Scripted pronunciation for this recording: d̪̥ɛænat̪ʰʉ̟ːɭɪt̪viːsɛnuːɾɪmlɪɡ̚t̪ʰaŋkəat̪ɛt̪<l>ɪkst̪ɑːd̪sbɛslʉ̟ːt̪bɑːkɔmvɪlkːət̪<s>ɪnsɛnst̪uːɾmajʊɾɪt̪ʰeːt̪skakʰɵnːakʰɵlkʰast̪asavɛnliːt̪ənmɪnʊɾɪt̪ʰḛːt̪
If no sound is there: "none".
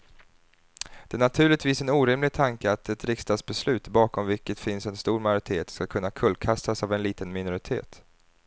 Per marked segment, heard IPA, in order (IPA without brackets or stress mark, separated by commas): ɾ, f